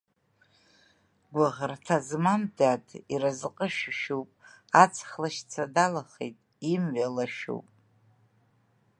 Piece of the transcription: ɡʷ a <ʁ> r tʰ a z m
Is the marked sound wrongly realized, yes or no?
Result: no